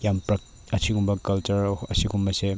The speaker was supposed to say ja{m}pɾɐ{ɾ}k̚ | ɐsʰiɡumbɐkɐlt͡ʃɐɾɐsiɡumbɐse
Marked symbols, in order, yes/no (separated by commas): yes, no